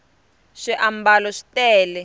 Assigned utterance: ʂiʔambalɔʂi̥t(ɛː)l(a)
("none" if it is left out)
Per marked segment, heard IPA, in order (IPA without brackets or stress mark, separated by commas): ɛː, ɛ